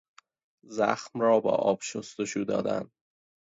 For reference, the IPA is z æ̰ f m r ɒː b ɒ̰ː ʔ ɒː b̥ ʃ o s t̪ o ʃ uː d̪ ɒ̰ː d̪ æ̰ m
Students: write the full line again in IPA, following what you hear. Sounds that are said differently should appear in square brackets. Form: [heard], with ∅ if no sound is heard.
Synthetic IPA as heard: z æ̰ [x] m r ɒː b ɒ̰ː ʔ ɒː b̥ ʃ o s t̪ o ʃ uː d̪ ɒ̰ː d̪ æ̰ [n]